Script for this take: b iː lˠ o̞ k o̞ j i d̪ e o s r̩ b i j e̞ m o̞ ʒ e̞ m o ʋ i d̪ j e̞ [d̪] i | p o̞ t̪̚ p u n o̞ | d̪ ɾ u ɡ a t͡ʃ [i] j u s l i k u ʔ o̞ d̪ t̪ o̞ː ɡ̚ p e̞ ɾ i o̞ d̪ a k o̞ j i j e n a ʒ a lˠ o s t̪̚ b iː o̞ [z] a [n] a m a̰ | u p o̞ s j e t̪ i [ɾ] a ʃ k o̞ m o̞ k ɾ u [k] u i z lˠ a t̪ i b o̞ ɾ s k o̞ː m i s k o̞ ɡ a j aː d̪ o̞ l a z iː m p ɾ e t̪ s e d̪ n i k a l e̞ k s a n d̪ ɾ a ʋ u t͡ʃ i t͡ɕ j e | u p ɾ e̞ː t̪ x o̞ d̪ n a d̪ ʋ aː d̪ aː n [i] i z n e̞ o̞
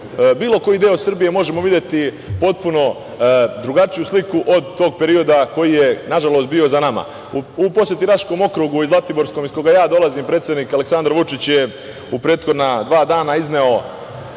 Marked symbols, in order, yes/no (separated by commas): no, yes, yes, yes, yes, no, no